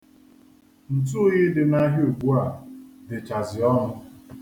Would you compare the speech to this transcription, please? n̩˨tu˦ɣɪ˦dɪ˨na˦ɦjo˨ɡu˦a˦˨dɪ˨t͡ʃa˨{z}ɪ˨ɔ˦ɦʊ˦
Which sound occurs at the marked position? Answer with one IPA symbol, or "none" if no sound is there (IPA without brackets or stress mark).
z